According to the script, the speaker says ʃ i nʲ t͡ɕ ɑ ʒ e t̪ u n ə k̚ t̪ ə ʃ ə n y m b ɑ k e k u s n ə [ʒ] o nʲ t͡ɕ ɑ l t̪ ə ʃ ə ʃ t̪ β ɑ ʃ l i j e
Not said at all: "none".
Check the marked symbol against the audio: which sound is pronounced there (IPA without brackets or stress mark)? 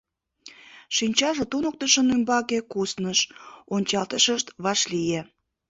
ʃ